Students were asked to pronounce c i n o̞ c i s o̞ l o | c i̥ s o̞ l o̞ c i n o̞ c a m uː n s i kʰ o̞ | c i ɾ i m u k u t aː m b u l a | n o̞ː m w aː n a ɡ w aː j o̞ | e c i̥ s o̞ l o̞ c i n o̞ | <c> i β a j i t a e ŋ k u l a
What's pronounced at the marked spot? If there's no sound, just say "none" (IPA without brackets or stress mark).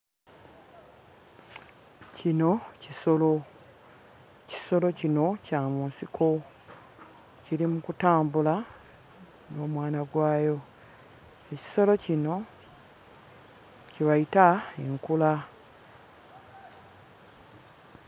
c